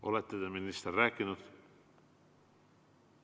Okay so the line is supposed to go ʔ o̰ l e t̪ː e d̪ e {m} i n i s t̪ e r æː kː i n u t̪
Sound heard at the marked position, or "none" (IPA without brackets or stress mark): m